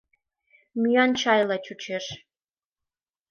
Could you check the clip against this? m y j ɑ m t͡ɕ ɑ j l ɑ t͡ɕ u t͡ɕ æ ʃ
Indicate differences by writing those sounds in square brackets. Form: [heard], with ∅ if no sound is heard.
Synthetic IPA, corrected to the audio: m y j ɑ [n] t͡ɕ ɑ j l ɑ t͡ɕ u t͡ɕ [e] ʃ